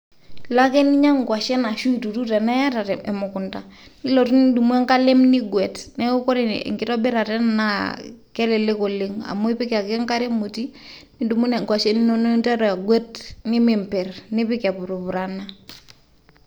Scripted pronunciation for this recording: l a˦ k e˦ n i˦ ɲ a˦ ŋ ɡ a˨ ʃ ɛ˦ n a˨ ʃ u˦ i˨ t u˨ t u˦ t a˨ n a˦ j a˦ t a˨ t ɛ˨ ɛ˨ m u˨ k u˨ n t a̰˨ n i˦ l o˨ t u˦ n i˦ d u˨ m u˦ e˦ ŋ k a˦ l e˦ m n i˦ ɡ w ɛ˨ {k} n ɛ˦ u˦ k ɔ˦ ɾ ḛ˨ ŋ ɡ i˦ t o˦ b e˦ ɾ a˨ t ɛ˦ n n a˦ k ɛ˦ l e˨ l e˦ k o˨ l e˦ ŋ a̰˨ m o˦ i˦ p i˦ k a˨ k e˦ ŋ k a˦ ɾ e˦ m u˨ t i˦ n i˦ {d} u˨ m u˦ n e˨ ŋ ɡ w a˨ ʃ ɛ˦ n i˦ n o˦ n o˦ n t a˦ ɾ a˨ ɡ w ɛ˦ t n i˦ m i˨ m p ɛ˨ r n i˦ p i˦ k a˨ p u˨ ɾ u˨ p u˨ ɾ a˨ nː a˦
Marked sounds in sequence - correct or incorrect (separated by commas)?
incorrect, correct